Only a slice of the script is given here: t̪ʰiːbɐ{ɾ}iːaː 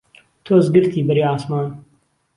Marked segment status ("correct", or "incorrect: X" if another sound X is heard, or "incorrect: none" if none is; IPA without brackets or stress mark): correct